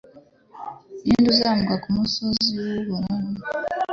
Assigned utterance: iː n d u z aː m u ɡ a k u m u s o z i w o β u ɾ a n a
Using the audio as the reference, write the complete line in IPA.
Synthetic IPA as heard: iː n d u z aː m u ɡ a k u m u s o z i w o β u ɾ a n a